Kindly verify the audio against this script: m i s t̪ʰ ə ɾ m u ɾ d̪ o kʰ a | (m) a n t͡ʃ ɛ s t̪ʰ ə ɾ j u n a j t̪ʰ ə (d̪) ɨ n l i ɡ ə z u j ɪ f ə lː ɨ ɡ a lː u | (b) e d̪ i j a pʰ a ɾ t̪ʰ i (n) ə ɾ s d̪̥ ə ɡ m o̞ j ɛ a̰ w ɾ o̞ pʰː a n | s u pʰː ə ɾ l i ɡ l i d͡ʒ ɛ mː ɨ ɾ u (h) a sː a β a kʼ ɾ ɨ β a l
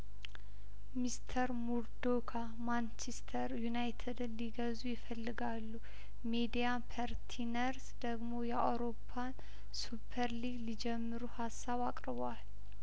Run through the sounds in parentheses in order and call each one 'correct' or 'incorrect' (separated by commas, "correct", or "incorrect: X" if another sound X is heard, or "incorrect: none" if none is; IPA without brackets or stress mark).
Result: correct, correct, incorrect: m, correct, correct